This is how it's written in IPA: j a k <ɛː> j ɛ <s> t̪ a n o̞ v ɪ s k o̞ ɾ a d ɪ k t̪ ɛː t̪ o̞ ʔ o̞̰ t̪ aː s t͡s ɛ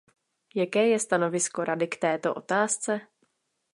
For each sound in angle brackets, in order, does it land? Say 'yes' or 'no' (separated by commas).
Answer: yes, yes